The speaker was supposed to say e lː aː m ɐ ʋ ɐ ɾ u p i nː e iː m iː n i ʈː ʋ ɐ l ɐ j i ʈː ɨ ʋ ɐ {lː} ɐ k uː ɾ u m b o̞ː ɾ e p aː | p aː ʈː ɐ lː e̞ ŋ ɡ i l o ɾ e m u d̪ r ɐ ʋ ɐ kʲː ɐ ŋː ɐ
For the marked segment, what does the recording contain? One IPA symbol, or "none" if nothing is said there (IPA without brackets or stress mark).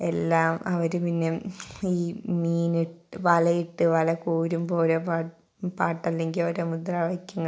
l